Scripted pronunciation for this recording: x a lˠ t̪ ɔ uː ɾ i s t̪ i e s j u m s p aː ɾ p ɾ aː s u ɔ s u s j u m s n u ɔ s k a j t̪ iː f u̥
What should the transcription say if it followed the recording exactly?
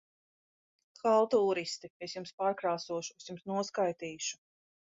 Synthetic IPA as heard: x a lˠ t̪ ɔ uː ɾ i s t̪ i e s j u m s p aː ɾ k ɾ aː s u ɔ ʃ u s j u m s n u ɔ s k a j t̪ iː ʃ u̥